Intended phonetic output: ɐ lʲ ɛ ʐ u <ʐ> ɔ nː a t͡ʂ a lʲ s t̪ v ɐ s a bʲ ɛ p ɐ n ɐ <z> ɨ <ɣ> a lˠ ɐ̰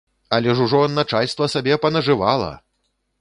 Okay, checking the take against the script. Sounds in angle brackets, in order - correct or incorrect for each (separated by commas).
correct, incorrect, incorrect